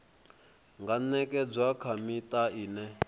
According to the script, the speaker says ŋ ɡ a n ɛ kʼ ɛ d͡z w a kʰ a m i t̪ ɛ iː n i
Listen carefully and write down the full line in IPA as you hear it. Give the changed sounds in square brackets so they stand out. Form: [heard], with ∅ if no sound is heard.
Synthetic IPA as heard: ŋ ɡ a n ɛ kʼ ɛ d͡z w a kʰ a m i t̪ [a] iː n [ɛ]